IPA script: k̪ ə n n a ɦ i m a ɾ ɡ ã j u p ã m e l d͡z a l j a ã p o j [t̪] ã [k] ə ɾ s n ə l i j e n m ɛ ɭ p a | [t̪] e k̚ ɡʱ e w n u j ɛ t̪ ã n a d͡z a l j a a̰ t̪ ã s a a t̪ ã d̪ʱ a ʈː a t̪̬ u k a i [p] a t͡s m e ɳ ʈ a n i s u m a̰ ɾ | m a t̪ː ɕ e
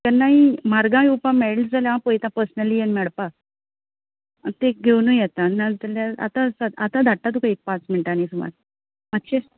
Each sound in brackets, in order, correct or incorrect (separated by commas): correct, incorrect, correct, correct